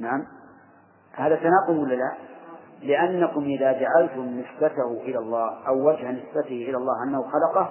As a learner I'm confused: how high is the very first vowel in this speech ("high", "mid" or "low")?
low